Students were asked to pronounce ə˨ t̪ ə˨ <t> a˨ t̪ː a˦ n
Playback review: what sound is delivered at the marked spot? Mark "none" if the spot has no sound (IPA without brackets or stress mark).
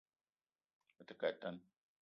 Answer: k